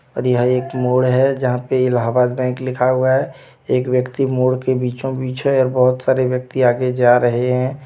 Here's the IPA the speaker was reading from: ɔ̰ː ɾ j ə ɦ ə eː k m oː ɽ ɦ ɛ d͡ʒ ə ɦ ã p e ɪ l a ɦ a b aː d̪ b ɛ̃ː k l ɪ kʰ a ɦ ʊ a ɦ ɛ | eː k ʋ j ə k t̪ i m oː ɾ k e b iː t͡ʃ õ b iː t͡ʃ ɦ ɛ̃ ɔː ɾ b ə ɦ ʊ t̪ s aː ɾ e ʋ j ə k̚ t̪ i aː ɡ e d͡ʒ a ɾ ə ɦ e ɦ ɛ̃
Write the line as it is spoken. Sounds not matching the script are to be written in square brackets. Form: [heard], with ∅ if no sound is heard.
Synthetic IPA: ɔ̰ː ɾ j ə ɦ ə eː k m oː ɽ ɦ ɛ d͡ʒ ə ɦ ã p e ɪ l a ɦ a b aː d̪ b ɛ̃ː k l ɪ kʰ a ɦ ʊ a ɦ ɛ | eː k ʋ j ə k t̪ i m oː [ɽ] k e b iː t͡ʃ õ b iː t͡ʃ ɦ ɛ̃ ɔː ɾ b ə ɦ ʊ t̪ s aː ɾ e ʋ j ə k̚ t̪ i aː ɡ e d͡ʒ a ɾ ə ɦ e ɦ ɛ̃